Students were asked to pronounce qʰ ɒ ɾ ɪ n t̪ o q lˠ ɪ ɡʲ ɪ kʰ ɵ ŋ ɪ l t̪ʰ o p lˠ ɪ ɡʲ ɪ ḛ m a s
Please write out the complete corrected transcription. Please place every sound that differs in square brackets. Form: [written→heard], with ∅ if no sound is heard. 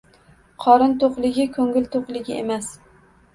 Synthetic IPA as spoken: qʰ ɒ ɾ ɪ n t̪ o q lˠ ɪ ɡʲ ɪ kʰ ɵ ŋ ɪ l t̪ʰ o [p→q] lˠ ɪ ɡʲ ɪ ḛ m a s